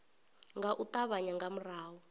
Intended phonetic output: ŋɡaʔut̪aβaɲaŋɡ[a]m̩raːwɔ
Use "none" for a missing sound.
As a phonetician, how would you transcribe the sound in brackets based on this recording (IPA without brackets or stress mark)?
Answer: a